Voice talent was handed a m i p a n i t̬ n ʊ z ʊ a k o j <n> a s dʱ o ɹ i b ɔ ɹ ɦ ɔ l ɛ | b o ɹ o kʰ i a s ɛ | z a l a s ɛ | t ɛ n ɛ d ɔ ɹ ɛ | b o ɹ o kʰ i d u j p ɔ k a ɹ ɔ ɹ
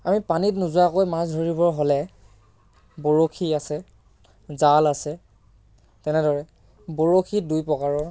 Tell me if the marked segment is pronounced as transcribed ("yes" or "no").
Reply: no